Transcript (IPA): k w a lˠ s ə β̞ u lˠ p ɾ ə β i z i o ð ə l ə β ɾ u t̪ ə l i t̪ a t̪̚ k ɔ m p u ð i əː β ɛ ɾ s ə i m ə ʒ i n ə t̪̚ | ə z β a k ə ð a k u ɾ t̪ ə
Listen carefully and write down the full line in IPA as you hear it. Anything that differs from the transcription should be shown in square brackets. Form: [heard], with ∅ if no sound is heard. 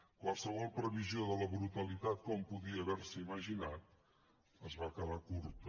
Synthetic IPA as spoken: k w a lˠ s ə β̞ [ɔ] lˠ p ɾ ə β i z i o ð ə l ə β ɾ u t̪ ə l i t̪ a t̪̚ k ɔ m p u ð i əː β ɛ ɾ s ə i m ə ʒ i n [a] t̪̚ | ə z β a k ə ð a k u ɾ t̪ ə